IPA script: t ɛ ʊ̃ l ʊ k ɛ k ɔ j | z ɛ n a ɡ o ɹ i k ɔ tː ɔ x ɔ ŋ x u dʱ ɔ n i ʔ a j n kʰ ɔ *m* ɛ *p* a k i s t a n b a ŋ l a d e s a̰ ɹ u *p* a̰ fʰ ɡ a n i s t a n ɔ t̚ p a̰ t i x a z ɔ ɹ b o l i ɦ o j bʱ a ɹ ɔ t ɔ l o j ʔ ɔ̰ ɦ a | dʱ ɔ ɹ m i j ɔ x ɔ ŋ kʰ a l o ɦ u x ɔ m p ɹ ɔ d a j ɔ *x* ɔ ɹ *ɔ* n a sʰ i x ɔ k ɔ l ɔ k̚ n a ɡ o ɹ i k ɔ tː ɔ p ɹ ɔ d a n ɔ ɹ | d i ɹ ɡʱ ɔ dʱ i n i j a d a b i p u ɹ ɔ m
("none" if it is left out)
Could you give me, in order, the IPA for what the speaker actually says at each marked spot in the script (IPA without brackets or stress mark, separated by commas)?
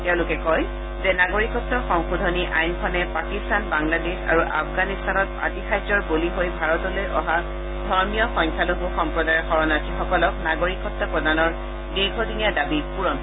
n, p, ʔ, x, ɔ